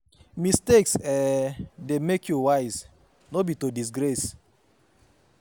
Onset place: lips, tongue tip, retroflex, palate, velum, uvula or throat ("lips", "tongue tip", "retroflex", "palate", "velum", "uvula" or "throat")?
lips